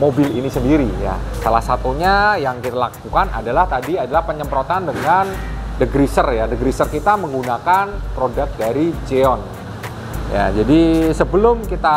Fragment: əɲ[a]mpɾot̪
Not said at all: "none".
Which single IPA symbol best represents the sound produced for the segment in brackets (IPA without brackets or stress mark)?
ə